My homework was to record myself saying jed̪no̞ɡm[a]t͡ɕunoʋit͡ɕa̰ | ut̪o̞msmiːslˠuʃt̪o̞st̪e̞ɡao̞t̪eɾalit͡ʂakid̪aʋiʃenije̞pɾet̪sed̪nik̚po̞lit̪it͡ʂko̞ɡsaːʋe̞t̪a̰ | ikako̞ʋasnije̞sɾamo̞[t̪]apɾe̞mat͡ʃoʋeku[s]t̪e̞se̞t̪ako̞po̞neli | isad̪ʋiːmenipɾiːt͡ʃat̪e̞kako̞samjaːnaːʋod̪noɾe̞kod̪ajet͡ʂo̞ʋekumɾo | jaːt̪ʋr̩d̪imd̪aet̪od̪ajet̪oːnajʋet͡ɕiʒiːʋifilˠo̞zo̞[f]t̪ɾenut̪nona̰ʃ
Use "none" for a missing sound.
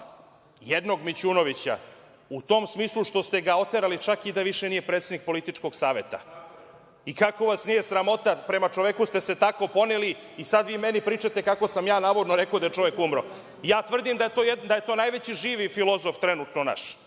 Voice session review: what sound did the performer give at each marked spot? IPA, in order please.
i, t̪, s, f

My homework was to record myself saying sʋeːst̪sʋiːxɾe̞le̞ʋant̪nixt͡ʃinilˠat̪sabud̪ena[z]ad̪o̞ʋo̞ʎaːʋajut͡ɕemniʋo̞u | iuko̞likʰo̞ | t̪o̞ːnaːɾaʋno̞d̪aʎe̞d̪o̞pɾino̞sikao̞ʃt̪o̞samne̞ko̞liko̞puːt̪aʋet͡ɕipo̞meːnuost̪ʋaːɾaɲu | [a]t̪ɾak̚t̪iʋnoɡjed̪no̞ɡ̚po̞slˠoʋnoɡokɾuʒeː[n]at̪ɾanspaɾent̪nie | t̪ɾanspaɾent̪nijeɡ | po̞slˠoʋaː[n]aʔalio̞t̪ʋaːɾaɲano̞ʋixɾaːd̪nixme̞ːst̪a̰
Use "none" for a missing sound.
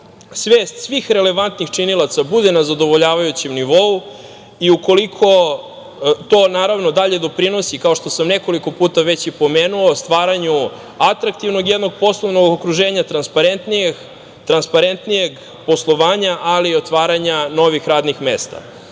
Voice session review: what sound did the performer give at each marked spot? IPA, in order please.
z, a, ɲ, ɲ

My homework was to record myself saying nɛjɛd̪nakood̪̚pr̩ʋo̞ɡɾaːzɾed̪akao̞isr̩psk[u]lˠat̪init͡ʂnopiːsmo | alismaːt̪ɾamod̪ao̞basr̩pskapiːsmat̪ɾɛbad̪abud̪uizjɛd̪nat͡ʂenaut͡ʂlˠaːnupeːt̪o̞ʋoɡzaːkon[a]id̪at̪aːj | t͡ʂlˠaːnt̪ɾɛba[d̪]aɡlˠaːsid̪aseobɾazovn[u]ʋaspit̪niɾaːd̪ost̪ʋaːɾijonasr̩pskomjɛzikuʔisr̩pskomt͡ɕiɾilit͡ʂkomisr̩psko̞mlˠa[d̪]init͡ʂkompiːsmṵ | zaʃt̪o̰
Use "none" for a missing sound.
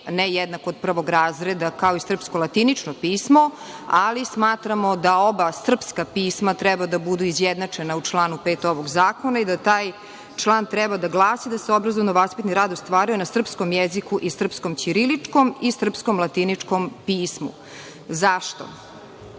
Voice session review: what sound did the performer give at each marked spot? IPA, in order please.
o, a, d̪, o, t̪

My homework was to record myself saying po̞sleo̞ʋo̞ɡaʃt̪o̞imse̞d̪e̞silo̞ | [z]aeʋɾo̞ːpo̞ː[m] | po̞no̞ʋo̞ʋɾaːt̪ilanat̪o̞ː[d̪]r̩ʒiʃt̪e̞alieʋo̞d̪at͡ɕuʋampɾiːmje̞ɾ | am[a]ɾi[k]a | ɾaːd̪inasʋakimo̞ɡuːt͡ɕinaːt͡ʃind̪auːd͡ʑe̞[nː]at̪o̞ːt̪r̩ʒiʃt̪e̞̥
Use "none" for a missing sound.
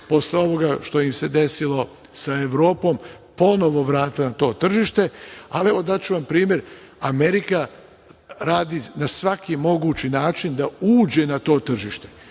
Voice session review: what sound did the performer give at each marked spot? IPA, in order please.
s, m, t̪, e, k, n

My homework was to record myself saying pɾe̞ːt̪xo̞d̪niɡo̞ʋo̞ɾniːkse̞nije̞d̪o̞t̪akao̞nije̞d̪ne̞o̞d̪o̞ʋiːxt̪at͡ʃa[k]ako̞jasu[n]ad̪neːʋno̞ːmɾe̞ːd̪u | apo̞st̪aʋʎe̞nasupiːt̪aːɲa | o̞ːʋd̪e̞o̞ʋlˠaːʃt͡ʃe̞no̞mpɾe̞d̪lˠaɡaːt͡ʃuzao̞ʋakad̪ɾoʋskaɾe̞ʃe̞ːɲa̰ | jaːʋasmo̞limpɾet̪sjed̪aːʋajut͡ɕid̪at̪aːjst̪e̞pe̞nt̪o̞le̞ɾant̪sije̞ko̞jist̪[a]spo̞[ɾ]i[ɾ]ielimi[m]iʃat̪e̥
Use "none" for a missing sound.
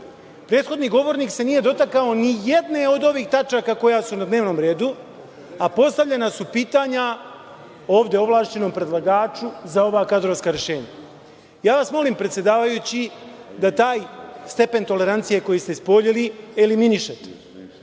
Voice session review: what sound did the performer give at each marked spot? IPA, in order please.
k, n, e, ʎ, l, n

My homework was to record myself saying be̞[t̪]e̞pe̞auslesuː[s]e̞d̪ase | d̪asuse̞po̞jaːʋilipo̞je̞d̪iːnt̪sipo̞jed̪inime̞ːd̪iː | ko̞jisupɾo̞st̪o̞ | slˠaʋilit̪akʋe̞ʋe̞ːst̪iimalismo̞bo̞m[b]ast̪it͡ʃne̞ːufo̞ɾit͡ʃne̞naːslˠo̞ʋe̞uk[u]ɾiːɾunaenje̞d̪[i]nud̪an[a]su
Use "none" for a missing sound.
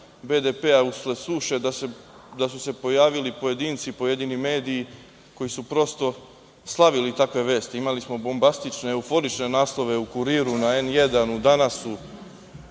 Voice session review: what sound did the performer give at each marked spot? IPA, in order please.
d̪, ʃ, b, u, a, a

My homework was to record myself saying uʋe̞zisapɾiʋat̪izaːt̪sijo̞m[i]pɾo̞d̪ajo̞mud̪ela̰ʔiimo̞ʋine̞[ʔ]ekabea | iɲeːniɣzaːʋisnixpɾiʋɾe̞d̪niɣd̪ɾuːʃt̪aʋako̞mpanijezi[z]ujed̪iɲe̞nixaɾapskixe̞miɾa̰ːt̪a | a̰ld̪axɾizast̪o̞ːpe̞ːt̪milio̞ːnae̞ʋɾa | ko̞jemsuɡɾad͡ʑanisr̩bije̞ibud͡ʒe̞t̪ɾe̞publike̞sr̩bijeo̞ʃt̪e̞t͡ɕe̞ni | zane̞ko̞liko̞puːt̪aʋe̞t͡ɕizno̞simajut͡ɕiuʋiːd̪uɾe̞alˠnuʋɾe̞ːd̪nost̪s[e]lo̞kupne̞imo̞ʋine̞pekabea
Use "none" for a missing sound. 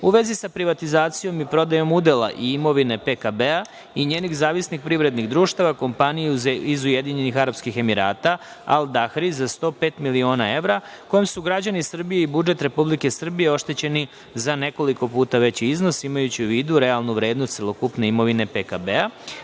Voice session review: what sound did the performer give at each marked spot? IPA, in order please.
i, p, z, e

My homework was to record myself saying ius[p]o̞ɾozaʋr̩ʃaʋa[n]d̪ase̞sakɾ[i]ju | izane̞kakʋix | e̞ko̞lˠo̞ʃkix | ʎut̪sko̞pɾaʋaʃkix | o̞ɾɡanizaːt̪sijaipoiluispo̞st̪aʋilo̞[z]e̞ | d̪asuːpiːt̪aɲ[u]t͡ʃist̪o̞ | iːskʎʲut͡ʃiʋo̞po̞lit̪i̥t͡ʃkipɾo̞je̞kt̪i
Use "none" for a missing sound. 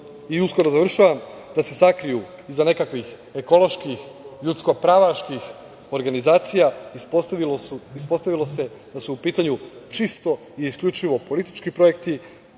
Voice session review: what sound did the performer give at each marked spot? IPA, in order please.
k, m, i, s, u

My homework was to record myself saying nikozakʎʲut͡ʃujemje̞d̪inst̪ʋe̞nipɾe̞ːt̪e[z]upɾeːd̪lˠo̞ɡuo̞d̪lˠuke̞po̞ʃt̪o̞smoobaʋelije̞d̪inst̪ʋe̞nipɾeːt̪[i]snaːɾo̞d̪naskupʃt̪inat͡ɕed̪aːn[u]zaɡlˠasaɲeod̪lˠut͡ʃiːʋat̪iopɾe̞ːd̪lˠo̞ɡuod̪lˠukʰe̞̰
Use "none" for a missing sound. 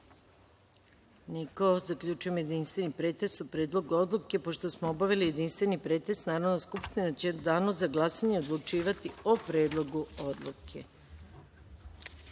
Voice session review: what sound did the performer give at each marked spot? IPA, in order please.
s, e, o

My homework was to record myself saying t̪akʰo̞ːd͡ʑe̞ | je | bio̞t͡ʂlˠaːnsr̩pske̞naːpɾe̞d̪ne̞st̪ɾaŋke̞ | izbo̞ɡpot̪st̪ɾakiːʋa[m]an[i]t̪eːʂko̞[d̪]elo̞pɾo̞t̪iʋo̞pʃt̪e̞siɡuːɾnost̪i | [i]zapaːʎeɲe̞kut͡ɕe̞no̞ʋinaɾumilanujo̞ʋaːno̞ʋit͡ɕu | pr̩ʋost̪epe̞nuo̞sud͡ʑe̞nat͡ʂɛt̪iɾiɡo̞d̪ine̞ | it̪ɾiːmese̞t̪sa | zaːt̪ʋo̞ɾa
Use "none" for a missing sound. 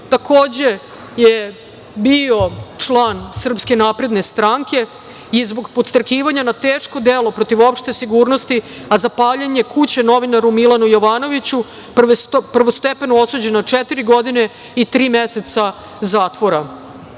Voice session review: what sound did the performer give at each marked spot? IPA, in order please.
ɲ, a, d̪, a

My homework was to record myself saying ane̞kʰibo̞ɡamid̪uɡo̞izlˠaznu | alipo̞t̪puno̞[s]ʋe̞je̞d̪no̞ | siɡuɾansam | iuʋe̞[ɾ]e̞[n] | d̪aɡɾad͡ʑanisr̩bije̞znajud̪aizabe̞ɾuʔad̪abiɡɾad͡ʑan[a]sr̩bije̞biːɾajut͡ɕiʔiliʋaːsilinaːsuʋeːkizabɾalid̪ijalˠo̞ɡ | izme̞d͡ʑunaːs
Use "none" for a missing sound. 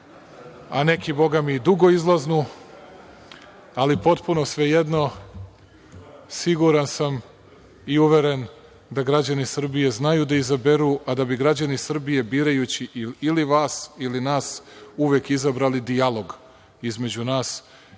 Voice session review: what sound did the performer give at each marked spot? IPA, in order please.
s, ɾ, n, i

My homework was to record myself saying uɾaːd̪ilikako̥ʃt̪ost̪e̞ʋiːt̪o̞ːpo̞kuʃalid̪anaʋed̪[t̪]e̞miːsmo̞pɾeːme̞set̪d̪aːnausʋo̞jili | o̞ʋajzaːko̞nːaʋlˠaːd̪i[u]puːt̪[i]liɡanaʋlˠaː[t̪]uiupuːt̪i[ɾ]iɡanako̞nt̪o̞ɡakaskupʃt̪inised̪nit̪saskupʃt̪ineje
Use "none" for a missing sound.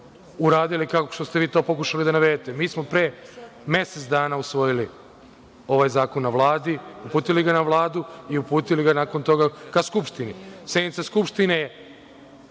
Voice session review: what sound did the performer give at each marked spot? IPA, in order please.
t̪, u, i, d̪, l

